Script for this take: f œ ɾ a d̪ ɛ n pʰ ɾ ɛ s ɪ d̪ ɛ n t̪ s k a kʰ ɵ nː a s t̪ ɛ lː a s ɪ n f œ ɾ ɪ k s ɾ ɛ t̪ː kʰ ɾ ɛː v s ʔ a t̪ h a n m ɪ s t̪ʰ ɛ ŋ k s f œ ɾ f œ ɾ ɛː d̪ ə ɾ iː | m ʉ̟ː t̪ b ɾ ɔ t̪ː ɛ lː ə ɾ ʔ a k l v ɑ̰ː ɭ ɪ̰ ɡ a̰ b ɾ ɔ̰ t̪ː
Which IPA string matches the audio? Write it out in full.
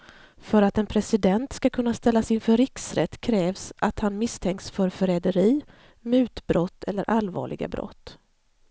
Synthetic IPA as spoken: f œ ɾ a t̪ ɛ n pʰ ɾ ɛ s ɪ d̪ ɛ n t̪ s k a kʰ ɵ nː a s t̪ ɛ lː a s ɪ n f œ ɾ ɪ k s ɾ ɛ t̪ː kʰ ɾ ɛː v s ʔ a t̪ h a n m ɪ s t̪ʰ ɛ ŋ k s f œ ɾ f œ ɾ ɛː d̪ ə ɾ iː | m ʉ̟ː t̪ b ɾ ɔ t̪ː ɛ lː ə ɾ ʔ a l v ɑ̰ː ɭ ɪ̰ ɡ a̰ b ɾ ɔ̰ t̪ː